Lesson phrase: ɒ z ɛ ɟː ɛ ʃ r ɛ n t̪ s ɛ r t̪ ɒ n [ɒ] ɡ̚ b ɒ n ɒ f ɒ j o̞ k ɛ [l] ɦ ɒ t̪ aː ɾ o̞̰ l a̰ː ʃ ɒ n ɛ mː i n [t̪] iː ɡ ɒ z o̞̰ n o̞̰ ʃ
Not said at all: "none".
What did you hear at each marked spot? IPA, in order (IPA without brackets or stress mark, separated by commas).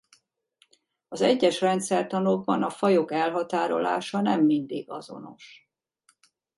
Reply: o, l, d̪